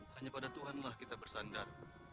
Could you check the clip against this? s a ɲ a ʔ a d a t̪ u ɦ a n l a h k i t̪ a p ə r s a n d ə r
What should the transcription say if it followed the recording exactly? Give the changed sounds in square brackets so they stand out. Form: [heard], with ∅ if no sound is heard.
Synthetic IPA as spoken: [h] a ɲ a [p] a d a t̪ u ɦ a n l a h k i t̪ a [b] ə r s a n d [a] r